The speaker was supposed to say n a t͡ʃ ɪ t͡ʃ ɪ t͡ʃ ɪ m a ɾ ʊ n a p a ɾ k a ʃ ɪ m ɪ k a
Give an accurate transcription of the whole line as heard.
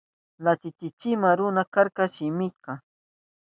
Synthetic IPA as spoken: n a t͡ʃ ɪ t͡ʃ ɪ t͡ʃ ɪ m a ɾ ʊ n a k a ɾ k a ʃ ɪ m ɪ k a

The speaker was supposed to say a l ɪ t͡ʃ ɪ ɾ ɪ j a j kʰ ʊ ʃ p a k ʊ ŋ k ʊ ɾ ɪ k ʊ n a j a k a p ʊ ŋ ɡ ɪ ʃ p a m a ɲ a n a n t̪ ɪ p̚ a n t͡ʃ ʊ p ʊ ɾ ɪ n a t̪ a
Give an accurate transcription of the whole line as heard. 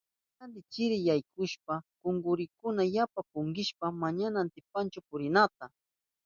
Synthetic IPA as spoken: a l ɪ t͡ʃ ɪ ɾ ɪ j a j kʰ ʊ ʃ p a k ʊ ŋ ɡ ʊ ɾ ɪ k ʊ n a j a p a p ʊ ŋ ɡ ɪ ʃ p a m a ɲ a n a n t̪ ɪ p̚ a n t͡ʃ ʊ p ʊ ɾ ɪ n a t̪ a

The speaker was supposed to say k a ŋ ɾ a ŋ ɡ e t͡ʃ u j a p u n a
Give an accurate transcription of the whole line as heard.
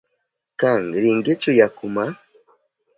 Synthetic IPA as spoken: k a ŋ ɾ i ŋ ɡ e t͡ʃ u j a k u m a

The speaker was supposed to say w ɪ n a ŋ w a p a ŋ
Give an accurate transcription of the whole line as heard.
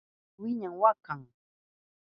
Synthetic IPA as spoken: w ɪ ɲ a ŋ w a k a ŋ

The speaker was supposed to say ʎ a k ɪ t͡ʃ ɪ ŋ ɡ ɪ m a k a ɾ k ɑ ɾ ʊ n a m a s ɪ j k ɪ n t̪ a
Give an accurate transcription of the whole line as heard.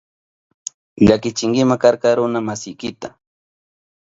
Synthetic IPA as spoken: ʎ a k ɪ t͡ʃ ɪ ŋ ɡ ɪ m a k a ɾ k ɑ ɾ ʊ n a m a s ɪ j k ɪ t̪ a

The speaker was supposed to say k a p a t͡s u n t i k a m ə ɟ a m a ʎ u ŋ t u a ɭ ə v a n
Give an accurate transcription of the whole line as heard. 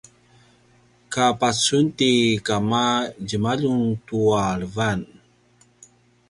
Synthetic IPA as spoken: k a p a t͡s u n t i k a m a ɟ ə m a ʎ u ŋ t u a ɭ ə v a n

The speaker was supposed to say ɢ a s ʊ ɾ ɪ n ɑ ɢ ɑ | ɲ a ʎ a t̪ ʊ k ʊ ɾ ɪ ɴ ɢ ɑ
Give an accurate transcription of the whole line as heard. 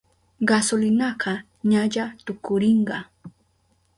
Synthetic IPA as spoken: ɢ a s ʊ l ɪ n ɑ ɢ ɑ | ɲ a ʎ a t̪ ʊ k ʊ ɾ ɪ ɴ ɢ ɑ

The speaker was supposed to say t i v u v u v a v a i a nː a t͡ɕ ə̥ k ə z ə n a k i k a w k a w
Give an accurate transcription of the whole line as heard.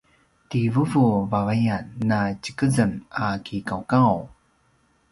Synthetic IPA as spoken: t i v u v u v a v a j a nː a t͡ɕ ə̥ k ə z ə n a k i k a w k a w

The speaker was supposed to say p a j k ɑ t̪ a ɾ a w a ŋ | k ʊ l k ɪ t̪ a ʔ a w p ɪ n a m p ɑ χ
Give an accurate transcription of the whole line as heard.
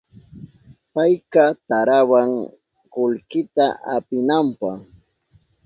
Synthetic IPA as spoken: p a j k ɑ t̪ a ɾ a w a ŋ | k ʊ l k ɪ t̪ a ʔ a p ɪ n a m p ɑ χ

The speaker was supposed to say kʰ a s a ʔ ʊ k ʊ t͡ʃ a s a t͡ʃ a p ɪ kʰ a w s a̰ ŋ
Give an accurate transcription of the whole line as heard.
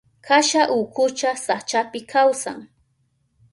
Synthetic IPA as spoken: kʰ a ʃ a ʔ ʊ k ʊ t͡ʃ a s a t͡ʃ a p ɪ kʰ a w s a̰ ŋ

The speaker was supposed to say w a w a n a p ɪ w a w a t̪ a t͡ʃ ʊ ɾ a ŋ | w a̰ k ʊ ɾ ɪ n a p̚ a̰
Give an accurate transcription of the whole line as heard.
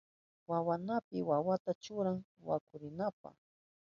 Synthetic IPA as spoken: w a w a n a p ɪ w a w a t̪ a t͡ʃ ʊ ɾ a ŋ | w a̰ k ʊ ɾ ɪ n a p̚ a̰

